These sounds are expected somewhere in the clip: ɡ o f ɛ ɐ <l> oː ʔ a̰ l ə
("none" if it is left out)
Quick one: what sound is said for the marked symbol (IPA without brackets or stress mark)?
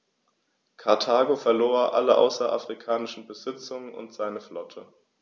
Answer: l